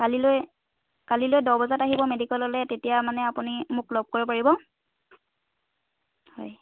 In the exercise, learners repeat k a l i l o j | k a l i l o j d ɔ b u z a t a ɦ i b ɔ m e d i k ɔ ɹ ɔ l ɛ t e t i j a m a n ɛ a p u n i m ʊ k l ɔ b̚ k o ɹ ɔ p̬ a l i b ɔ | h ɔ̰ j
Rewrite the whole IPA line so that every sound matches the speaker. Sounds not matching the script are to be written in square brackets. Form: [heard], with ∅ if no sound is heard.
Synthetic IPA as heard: k a l i l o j | k a l i l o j d ɔ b [ɔ] z a t a ɦ i b ɔ m e d i k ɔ [l] ɔ l ɛ t e t i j a m a n ɛ a p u n i m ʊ k l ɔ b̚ k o ɹ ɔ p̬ a [ɹ] i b ɔ | h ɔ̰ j